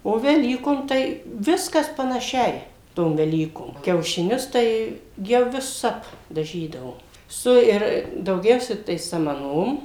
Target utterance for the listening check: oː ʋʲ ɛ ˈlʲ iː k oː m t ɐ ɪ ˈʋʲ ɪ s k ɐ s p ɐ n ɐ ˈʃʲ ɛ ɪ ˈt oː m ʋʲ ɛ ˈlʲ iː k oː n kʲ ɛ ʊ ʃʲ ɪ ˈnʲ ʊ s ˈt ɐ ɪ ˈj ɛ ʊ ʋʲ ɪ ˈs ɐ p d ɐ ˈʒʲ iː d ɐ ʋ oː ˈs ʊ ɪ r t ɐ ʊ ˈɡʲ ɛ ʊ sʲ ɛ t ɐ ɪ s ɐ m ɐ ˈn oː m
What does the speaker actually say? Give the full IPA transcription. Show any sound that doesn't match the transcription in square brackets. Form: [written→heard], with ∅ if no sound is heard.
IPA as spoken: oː ʋʲ ɛ ˈlʲ iː k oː m t ɐ ɪ ˈʋʲ ɪ s k ɐ s p ɐ n ɐ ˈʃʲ ɛ ɪ ˈt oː m ʋʲ ɛ ˈlʲ iː k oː [n→m] kʲ ɛ ʊ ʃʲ ɪ ˈnʲ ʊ s ˈt ɐ ɪ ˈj ɛ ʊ ʋʲ ɪ ˈs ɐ p d ɐ ˈʒʲ iː d ɐ ʋ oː ˈs ʊ ɪ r [t→d] ɐ ʊ ˈɡʲ ɛ ʊ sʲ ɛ t ɐ ɪ s ɐ m ɐ ˈn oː m

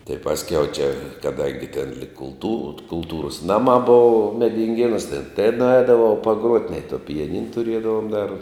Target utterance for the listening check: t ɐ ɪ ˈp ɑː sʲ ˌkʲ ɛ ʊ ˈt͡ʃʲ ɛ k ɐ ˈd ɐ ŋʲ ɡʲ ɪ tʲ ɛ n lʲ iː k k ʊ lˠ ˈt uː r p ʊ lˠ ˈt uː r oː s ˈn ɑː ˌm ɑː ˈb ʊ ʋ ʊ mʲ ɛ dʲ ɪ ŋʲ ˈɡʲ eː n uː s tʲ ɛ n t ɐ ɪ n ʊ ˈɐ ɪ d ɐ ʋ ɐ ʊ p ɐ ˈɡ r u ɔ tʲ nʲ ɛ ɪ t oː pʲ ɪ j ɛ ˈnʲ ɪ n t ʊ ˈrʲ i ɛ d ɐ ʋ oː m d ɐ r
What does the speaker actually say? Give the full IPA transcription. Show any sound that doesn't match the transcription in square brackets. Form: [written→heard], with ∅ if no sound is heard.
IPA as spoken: t ɐ ɪ ˈp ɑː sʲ ˌkʲ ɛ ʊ ˈt͡ʃʲ ɛ k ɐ ˈd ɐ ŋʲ ɡʲ ɪ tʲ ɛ n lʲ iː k k ʊ lˠ ˈt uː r [p→k] ʊ lˠ ˈt uː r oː s ˈn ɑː ˌm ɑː ˈb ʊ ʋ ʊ mʲ ɛ dʲ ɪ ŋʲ ˈɡʲ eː n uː s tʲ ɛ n t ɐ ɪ n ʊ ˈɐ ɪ d ɐ ʋ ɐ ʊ p ɐ ˈɡ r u ɔ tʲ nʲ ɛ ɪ t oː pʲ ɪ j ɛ ˈnʲ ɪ n t ʊ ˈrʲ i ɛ d ɐ ʋ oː m d ɐ r

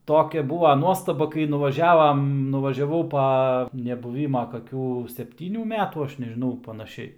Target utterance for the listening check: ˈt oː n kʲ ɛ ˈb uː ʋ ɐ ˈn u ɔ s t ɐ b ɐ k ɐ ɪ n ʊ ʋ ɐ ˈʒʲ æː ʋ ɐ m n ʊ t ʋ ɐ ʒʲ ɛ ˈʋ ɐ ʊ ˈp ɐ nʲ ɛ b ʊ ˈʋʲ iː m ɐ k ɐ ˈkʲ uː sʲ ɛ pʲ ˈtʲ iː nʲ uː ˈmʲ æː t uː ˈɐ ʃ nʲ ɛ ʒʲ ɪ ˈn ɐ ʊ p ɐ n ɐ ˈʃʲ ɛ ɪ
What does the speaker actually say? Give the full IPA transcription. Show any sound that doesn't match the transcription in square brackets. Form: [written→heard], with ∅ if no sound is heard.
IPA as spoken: ˈt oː [n→∅] kʲ ɛ ˈb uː ʋ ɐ ˈn u ɔ s t ɐ b ɐ k ɐ ɪ n ʊ ʋ ɐ ˈʒʲ æː ʋ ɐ m n ʊ [t→∅] ʋ ɐ ʒʲ ɛ ˈʋ ɐ ʊ ˈp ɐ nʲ ɛ b ʊ ˈʋʲ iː m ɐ k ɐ ˈkʲ uː sʲ ɛ pʲ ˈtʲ iː nʲ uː ˈmʲ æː t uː ˈɐ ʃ nʲ ɛ ʒʲ ɪ ˈn ɐ ʊ p ɐ n ɐ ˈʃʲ ɛ ɪ

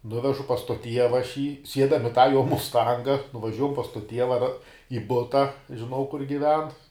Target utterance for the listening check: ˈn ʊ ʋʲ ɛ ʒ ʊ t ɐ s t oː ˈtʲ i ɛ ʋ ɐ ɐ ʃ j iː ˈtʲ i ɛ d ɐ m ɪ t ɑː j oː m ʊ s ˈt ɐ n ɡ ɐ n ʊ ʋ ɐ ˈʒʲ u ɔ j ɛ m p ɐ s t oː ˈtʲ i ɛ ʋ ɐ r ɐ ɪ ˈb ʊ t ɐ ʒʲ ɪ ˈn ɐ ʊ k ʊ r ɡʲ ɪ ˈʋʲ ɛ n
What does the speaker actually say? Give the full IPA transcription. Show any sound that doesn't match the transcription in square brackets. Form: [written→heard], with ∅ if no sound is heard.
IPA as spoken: ˈn ʊ ʋʲ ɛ ʒ ʊ [t→p] ɐ s t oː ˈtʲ i ɛ ʋ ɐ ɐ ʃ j iː [ˈtʲ→ˈsʲ] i ɛ d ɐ m ɪ t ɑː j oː m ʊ s ˈt ɐ [n→ŋ] ɡ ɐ n ʊ ʋ ɐ ˈʒʲ u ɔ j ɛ m p ɐ s t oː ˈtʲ i ɛ ʋ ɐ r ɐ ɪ ˈb ʊ t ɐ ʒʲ ɪ ˈn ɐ ʊ k ʊ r ɡʲ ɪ ˈʋʲ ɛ n

